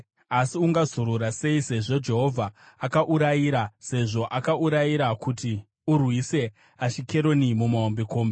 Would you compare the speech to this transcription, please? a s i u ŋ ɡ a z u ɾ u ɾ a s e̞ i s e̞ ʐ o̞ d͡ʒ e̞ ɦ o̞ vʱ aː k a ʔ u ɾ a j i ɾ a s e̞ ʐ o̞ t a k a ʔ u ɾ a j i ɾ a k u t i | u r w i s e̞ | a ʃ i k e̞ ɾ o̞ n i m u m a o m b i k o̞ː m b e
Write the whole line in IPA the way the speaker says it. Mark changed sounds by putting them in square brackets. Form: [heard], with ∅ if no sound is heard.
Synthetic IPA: a s i u ŋ ɡ a z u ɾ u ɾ a s e̞ i s e̞ ʐ o̞ d͡ʒ e̞ ɦ o̞ vʱ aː k a ʔ u ɾ a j i ɾ a s e̞ ʐ o̞ [ʔ] a k a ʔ u ɾ a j i ɾ a k u t i | u r w i s e̞ | a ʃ i k e̞ ɾ o̞ n i m u m a o m b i k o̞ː m b e